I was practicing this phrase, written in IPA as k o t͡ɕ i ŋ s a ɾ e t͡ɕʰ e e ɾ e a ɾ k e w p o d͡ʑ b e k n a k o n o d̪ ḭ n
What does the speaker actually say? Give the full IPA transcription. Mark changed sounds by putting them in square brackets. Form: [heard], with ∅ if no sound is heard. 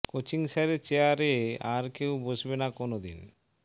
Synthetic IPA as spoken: k o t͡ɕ i ŋ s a ɾ e [t͡ɕ] e [a] ɾ e a ɾ k e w [b] o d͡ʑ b e [∅] n a k o n o d̪ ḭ n

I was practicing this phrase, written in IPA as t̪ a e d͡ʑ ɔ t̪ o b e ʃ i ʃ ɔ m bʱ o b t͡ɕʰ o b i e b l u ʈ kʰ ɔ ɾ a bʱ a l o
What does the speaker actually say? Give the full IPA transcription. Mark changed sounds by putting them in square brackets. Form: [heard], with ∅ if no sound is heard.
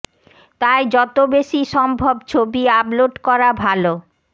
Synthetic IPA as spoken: t̪ a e d͡ʑ ɔ t̪ o b e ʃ i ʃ ɔ m bʱ o b t͡ɕʰ o b i [a] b l [o] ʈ [k] ɔ ɾ a bʱ a l o

